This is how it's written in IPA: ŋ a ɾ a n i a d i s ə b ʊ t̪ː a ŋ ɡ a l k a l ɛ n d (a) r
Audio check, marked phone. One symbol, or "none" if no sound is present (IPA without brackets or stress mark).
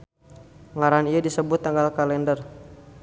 ə